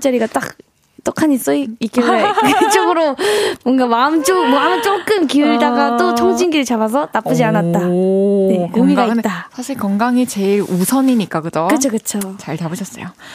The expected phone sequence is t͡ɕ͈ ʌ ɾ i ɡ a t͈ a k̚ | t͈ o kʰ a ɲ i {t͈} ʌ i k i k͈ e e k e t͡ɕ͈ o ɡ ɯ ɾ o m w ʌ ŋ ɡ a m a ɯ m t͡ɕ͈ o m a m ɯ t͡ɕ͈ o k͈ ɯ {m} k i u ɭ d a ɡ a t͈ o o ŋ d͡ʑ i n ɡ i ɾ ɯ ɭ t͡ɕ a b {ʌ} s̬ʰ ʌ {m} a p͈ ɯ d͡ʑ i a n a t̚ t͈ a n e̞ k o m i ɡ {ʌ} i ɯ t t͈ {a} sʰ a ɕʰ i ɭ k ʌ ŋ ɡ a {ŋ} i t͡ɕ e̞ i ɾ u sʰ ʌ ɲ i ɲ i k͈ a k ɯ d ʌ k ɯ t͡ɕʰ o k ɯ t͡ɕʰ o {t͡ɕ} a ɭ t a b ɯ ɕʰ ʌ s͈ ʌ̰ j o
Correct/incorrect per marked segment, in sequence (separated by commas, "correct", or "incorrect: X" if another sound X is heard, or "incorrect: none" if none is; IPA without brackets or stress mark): incorrect: s͈, correct, incorrect: a, incorrect: n, incorrect: a, correct, correct, correct